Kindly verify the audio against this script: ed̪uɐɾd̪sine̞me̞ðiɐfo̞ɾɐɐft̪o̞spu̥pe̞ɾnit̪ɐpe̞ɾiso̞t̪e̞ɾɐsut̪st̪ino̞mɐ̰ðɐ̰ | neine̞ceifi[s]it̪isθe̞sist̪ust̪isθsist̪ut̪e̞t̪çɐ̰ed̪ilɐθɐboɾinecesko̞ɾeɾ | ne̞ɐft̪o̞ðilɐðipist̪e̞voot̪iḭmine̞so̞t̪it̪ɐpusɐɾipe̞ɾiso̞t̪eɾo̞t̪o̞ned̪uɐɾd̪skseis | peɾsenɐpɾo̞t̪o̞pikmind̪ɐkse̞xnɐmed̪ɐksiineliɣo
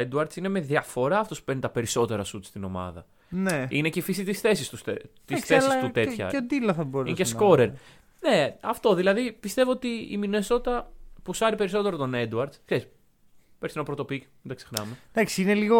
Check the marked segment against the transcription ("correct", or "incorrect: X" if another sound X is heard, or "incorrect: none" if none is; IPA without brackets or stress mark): correct